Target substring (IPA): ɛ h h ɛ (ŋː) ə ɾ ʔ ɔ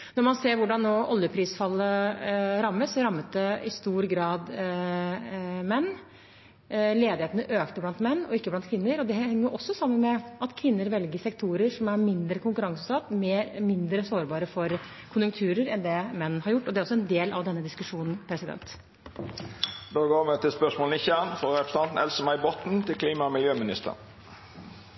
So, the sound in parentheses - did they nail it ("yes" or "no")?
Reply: yes